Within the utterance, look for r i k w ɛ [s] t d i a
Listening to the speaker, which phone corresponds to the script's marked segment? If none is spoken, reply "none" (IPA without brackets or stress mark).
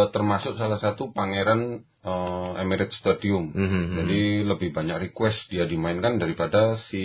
s